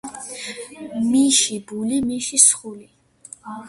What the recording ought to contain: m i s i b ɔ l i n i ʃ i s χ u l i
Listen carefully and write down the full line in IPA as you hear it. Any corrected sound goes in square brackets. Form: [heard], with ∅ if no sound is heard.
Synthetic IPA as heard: m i [ʃ] i b [u] l i [m] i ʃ i s χ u l i